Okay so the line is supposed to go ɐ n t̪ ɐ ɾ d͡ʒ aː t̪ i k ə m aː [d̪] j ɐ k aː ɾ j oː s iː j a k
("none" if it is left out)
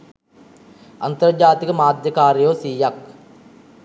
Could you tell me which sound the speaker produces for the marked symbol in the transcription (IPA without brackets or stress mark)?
d̪